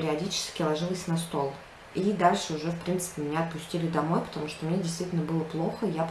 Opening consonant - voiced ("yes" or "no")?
yes